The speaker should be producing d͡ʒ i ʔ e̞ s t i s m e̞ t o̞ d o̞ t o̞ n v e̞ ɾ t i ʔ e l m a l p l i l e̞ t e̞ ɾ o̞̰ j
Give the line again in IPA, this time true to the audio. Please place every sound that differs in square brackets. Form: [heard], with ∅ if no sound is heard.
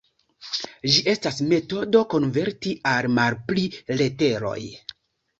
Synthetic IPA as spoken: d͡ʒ i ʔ e̞ s t [a] s m e̞ t o̞ d o̞ [k] o̞ n v e̞ ɾ t i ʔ [a] l m a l p l i l e̞ t e̞ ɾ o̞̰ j